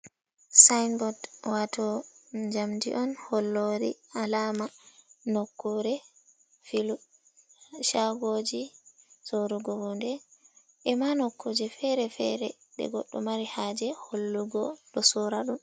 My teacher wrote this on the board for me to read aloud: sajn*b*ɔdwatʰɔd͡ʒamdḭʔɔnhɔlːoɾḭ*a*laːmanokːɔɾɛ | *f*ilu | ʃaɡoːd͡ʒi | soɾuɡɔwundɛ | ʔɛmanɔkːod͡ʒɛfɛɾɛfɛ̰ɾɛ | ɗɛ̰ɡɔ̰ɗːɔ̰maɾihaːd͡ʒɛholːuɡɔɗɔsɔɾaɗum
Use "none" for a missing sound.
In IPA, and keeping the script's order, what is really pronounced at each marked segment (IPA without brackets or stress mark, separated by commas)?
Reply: b, a, f